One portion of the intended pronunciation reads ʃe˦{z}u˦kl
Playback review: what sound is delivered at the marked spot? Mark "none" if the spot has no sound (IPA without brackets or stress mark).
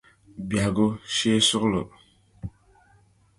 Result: s